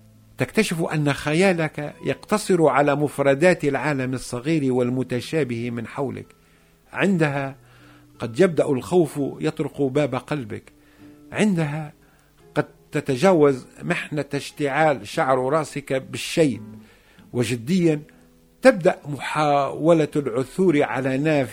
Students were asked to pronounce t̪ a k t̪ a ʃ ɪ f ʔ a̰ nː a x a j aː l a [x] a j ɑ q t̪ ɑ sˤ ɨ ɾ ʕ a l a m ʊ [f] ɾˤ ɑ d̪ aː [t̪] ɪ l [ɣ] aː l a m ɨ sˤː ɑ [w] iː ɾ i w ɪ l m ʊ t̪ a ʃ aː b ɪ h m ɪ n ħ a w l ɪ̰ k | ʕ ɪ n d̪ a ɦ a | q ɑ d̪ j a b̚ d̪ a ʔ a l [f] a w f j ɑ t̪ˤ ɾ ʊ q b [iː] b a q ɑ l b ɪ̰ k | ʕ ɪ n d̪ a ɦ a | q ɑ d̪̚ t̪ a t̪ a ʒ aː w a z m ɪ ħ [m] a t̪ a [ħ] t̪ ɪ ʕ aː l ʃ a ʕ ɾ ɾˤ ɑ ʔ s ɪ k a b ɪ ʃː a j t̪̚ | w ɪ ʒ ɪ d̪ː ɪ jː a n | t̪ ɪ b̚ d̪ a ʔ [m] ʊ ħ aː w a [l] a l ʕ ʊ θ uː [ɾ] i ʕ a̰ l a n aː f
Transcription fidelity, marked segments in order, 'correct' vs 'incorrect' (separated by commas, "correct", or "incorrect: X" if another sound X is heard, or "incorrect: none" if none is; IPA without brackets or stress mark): incorrect: k, correct, correct, incorrect: ʕ, incorrect: ɣ, incorrect: x, incorrect: aː, incorrect: n, incorrect: ʃ, correct, correct, correct